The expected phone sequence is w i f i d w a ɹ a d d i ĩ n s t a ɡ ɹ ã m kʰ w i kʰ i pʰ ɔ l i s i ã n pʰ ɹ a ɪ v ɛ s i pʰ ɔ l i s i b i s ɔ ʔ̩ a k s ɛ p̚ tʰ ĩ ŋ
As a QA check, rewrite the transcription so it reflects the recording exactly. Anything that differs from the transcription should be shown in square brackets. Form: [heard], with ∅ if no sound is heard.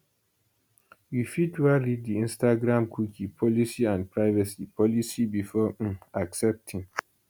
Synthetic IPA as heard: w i f i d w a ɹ [i] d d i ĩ n s t a ɡ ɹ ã m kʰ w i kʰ i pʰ ɔ l i s i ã n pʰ ɹ a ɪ v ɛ s i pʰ ɔ l i s i b i [f] ɔ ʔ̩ a k s ɛ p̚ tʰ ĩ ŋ

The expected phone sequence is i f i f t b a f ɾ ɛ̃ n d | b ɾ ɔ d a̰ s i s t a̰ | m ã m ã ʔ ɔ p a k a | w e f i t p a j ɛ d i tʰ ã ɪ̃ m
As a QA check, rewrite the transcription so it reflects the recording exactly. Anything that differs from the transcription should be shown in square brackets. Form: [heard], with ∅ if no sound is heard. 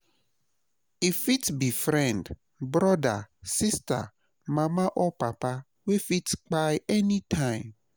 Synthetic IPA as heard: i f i [∅] t b [i] f ɾ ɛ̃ n d | b ɾ ɔ d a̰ s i s t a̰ | m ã m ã ʔ ɔ p a [p] a | w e f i t [k͡p] a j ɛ [n] i tʰ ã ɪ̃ m

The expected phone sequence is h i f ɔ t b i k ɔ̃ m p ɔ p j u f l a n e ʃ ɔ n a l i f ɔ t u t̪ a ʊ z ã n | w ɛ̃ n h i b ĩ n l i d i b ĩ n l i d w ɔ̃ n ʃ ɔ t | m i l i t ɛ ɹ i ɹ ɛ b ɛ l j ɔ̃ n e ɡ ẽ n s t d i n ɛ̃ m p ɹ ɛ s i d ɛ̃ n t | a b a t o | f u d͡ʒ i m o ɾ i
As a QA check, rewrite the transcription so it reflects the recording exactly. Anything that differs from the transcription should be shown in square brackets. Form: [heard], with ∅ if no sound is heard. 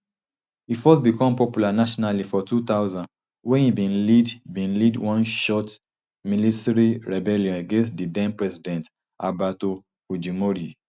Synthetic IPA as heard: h i f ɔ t b i k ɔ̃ m p ɔ p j u [∅] l a n [a] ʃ ɔ n a l i f ɔ t u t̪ a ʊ z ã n | w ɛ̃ n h i b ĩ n l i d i b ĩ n l i d w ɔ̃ n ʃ ɔ t | m i l i t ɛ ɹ i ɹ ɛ b ɛ l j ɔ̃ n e ɡ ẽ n s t d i [d] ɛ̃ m p ɹ ɛ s i d ɛ̃ n t | a b a t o | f u d͡ʒ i m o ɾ i

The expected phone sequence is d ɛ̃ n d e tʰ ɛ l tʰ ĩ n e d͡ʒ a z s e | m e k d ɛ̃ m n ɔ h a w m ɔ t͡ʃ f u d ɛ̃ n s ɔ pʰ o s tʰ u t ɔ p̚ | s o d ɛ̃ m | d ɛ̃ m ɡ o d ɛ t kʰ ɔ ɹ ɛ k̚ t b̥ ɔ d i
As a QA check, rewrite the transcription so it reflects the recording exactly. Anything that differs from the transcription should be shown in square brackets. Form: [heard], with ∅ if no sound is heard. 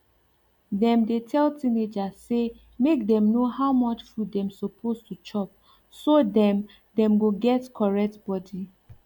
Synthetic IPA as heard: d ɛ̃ [m] d e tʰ ɛ l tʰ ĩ n e d͡ʒ a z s e | m e k d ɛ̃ m n [o] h a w m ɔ t͡ʃ f u d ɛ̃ [m] s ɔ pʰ o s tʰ u [t͡ʃ] ɔ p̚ | s o d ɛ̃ m | d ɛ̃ m ɡ o [ɡ] ɛ t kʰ ɔ ɹ ɛ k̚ t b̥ ɔ d i

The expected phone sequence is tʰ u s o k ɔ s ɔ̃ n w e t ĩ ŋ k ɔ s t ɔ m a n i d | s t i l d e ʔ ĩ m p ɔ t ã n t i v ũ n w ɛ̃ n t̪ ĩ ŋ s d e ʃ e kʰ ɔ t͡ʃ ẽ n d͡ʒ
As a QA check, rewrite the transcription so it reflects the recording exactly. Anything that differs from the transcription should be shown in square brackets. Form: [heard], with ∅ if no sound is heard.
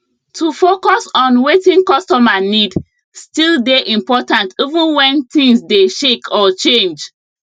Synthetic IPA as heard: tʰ u [f] o k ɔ s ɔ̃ n w e t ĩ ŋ k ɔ s t ɔ m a n i d | s t i l d e ʔ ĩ m p ɔ t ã n t i v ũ n w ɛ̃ n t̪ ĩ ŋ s d e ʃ e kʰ ɔ t͡ʃ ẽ n d͡ʒ

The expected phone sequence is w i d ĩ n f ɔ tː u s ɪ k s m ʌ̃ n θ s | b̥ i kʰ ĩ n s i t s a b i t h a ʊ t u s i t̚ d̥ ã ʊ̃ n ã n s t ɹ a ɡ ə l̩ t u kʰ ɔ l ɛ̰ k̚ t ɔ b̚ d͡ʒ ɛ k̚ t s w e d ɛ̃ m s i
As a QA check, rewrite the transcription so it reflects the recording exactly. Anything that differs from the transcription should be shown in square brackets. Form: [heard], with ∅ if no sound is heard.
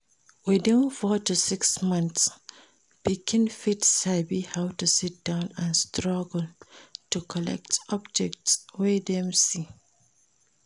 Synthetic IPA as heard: w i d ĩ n f ɔ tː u s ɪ k s m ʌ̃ n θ s | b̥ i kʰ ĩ n [f] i t s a b i [∅] h a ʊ t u s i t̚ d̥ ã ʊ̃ n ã n s t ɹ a ɡ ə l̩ t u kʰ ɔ l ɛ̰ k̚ t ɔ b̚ d͡ʒ ɛ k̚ t s w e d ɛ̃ m s i

